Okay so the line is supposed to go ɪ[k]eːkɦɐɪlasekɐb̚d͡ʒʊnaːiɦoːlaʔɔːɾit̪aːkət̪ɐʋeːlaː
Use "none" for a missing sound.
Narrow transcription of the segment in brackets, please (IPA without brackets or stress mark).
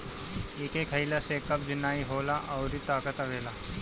k